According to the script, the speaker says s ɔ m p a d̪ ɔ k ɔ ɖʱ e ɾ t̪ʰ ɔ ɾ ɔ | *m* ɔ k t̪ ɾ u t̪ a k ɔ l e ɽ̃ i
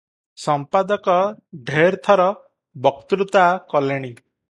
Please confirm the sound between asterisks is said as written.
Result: no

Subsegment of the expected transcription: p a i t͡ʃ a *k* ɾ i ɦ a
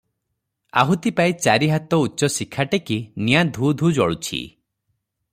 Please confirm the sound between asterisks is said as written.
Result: no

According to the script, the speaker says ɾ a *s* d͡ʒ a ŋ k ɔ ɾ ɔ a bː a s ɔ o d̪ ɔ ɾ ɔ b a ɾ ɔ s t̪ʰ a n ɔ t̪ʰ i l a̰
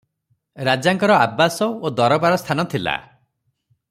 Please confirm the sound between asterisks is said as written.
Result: no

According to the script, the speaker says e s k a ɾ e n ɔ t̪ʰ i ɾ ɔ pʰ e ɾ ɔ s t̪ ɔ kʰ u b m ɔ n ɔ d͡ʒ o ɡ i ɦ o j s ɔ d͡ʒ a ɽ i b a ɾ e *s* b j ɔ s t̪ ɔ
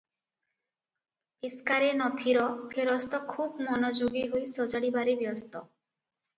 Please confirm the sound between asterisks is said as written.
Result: no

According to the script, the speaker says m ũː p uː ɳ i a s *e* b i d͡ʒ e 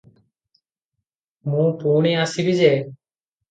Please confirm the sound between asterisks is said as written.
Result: no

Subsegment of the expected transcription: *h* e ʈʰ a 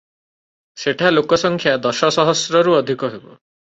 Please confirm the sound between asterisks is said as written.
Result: no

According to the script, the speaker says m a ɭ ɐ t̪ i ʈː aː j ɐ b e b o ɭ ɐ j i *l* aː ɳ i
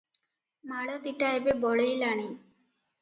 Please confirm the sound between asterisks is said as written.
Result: yes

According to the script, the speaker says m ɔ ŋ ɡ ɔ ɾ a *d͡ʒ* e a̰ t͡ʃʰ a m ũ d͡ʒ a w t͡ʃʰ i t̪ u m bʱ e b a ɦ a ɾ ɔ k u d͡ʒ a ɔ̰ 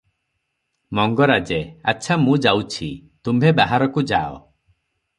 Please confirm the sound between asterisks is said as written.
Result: yes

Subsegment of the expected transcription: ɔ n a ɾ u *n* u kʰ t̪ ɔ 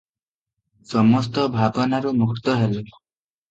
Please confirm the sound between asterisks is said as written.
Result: no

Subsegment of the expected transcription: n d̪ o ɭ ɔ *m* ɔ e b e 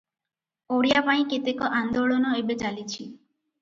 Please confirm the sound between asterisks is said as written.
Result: no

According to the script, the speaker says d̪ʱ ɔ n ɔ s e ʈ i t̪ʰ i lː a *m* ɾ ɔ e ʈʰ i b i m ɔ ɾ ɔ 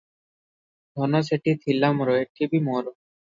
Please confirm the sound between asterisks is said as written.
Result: yes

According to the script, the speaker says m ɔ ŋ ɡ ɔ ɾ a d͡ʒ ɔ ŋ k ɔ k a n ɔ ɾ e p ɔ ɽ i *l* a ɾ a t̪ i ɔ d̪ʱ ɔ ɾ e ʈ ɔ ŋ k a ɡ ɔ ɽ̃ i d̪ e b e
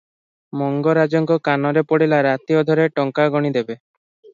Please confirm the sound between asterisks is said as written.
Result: yes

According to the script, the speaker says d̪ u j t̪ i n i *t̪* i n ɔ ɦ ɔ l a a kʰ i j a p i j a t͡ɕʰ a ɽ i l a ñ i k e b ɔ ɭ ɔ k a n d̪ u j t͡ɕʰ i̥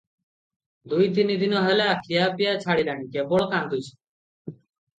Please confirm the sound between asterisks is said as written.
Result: no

